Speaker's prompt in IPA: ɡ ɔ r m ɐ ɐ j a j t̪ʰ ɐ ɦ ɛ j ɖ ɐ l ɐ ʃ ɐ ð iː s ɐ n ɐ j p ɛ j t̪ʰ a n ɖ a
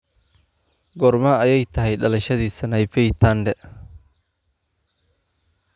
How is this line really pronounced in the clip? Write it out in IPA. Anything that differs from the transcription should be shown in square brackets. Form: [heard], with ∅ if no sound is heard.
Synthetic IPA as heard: ɡ ɔ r m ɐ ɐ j [ɛ] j t̪ʰ ɐ ɦ ɛ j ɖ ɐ l ɐ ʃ ɐ ð iː s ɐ n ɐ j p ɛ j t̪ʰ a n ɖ [ɛ]